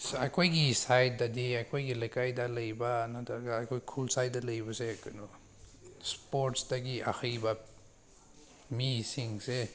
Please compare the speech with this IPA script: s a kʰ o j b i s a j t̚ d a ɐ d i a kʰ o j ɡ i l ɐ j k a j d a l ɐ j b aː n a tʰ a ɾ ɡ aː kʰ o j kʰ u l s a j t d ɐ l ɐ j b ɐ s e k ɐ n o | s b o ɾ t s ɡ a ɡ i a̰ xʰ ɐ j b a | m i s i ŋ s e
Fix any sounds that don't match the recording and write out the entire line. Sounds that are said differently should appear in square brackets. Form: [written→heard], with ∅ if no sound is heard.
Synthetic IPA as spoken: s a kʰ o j [b→ɡ] i s a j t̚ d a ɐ d i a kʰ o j ɡ i l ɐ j k a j d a l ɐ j b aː n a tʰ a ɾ ɡ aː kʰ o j kʰ u l s a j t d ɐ l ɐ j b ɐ s e k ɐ n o | s [b→p] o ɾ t s [ɡ→d] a ɡ i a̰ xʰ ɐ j b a | m i s i ŋ s e